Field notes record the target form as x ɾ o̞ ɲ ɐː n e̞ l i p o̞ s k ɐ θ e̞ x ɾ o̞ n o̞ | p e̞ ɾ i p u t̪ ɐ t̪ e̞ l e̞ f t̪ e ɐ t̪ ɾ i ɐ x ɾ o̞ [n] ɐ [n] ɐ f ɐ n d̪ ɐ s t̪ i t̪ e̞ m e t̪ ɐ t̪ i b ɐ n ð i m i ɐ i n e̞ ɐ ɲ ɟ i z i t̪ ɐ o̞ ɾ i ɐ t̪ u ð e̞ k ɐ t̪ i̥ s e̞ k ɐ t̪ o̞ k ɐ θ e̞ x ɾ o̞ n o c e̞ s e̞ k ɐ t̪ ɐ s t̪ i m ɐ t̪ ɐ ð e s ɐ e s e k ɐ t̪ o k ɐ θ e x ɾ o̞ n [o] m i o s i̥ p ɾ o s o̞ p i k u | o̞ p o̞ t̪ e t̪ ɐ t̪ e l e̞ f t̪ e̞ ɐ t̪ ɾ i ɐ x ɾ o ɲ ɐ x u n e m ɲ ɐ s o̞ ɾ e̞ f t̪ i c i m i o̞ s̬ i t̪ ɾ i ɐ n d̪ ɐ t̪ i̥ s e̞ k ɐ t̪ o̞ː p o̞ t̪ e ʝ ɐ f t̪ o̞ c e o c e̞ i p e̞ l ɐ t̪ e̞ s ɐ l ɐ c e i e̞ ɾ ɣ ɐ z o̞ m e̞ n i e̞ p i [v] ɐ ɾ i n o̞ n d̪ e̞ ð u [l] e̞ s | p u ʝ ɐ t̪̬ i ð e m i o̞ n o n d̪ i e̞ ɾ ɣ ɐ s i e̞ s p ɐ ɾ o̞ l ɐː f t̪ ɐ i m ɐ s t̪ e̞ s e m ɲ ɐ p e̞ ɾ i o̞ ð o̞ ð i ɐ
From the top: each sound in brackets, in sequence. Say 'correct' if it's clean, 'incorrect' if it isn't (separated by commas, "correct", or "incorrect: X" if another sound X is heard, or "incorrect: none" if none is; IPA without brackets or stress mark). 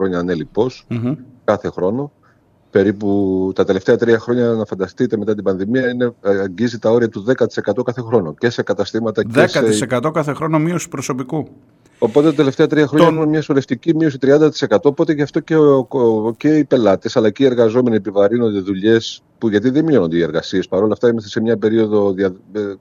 incorrect: ɲ, correct, correct, correct, incorrect: ʎ